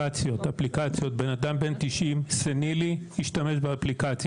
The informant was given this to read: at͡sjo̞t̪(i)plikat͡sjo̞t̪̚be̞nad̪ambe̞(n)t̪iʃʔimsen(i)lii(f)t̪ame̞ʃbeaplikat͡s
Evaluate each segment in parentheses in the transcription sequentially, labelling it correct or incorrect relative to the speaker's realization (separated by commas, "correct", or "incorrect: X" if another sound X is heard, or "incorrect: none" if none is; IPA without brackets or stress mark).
incorrect: a, correct, correct, incorrect: ʃ